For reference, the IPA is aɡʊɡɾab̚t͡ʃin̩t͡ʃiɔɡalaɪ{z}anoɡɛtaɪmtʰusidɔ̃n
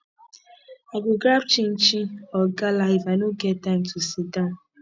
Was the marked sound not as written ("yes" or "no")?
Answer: yes